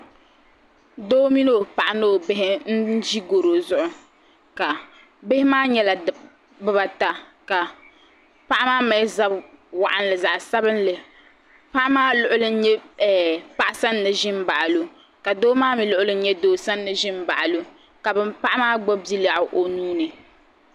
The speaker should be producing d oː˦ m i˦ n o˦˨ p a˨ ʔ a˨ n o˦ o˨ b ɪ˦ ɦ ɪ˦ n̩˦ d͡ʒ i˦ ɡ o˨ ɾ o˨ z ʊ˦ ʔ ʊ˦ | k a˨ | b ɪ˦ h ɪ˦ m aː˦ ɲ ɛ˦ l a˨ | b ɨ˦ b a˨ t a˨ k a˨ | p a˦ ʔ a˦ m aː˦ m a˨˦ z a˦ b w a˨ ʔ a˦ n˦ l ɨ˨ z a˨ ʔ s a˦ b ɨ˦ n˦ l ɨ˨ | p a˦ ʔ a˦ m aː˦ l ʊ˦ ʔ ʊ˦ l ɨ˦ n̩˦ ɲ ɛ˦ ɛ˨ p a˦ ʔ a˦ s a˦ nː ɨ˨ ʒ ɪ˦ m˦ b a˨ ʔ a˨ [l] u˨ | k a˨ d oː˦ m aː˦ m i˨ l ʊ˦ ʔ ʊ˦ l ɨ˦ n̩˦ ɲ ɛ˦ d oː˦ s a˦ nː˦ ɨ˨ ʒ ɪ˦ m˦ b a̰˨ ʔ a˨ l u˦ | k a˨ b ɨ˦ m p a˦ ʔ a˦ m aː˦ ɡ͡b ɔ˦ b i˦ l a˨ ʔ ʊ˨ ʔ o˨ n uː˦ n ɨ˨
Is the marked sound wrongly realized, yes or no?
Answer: no